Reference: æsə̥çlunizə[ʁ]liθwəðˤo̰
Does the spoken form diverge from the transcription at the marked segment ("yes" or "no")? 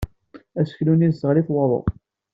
no